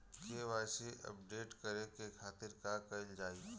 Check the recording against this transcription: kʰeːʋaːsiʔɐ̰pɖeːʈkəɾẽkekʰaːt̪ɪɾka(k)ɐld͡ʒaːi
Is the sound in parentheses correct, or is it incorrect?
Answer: correct